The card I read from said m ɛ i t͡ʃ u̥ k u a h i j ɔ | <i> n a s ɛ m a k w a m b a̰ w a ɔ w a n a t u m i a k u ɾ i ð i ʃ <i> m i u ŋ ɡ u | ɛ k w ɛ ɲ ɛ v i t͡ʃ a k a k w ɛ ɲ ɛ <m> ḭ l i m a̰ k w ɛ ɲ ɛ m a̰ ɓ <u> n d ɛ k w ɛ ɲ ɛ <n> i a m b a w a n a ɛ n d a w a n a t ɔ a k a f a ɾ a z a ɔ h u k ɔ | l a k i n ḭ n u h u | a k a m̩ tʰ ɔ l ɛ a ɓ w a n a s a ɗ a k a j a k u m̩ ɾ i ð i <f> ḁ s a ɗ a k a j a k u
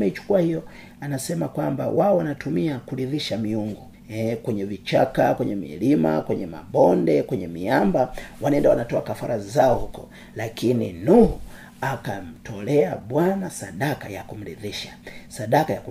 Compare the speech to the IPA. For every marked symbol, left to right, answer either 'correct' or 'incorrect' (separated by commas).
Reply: incorrect, incorrect, correct, incorrect, incorrect, incorrect